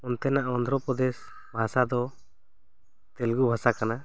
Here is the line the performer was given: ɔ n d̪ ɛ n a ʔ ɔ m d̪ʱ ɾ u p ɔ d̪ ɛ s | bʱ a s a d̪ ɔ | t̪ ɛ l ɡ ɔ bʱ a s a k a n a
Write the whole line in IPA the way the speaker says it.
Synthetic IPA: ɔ n t̪ ɛ n a ʔ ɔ n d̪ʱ ɾ ɔ p ɔ d̪ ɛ s | bʱ a s a d̪ ɔ | t̪ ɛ l ɡ u bʱ a s a k a n a